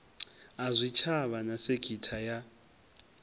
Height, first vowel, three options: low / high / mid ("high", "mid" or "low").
low